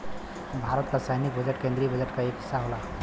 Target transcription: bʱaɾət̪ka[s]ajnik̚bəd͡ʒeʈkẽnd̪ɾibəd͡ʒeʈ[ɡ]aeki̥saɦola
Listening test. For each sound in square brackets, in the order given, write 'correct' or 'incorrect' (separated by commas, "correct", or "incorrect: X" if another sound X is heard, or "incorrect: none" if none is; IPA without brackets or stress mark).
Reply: correct, incorrect: k